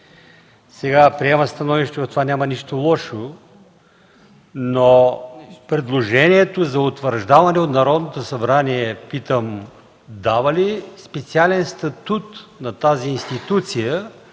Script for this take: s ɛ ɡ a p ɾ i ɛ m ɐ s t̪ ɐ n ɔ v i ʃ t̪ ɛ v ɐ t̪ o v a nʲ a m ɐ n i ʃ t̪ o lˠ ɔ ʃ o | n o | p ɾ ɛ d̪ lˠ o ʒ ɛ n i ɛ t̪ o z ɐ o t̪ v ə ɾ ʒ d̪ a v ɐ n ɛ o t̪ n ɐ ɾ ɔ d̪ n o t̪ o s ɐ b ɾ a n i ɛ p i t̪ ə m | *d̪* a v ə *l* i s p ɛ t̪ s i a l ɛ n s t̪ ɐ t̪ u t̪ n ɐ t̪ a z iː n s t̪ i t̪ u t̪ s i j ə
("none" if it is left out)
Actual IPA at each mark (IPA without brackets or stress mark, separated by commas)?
d̪, l